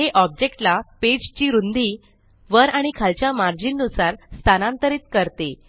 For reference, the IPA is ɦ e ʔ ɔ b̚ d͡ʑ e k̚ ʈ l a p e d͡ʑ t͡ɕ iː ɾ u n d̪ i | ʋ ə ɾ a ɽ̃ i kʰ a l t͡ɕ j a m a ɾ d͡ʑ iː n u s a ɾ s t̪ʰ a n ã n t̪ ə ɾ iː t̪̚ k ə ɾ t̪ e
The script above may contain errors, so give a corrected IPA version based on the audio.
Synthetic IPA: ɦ e ʔ ɔ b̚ d͡ʑ e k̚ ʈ l a p e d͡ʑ t͡ɕ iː ɾ u n d̪ i | ʋ ə ɾ a ɽ̃ i kʰ a l t͡ɕ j a m a ɾ d͡ʑ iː nː u s a ɾ s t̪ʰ a n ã n t̪ ə ɾ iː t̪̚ k ə ɾ t̪ e